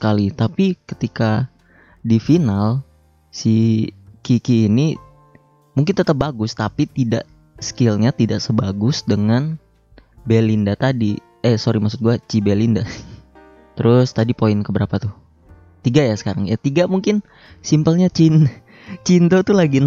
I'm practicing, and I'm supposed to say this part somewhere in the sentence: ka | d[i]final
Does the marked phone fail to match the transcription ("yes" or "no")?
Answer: no